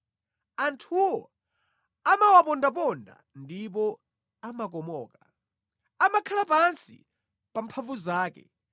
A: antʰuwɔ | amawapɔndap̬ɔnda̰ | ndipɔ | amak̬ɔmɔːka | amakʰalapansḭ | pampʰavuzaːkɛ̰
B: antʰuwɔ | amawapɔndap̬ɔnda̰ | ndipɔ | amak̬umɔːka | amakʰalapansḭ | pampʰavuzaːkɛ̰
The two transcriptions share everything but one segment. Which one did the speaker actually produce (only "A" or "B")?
A